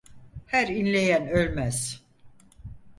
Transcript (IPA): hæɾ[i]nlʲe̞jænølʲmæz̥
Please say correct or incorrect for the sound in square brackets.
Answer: correct